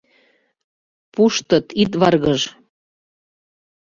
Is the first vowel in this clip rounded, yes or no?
yes